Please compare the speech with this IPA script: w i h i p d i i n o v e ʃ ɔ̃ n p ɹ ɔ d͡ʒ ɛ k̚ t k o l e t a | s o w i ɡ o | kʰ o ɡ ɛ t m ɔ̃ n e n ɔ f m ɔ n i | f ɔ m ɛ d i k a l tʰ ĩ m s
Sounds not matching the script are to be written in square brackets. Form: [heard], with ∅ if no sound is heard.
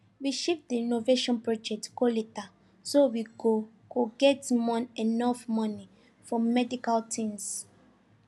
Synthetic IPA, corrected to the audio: w i [ʃ] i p d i i n o v e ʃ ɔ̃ n p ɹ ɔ d͡ʒ ɛ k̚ t k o l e t a | s o w i ɡ o | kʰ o ɡ ɛ t m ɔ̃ n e n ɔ f m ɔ n i | f ɔ m ɛ d i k a l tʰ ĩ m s